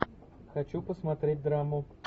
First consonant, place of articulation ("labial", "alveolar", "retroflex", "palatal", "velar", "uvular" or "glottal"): velar